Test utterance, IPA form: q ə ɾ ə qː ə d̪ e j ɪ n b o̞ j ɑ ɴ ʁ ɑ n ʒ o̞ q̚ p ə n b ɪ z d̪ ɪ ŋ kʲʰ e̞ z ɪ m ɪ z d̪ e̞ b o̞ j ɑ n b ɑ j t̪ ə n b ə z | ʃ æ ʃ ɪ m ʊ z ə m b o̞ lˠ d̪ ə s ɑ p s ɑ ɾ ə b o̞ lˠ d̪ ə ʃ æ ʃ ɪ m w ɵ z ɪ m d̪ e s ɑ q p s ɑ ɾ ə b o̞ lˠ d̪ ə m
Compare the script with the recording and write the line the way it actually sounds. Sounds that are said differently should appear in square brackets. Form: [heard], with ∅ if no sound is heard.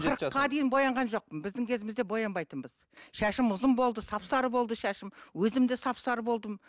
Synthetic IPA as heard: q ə ɾ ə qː [ɑ] d̪ e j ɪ n b o̞ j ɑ ɴ ʁ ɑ n ʒ o̞ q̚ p ə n b ɪ z d̪ ɪ ŋ kʲʰ e̞ z ɪ m ɪ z d̪ e̞ b o̞ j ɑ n b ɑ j t̪ ə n b ə z | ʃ æ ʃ ɪ m ʊ z ə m b o̞ lˠ d̪ ə s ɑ p s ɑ ɾ ə b o̞ lˠ d̪ ə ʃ æ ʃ ɪ m w ɵ z ɪ m d̪ e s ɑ [∅] p s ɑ ɾ ə b o̞ lˠ d̪ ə m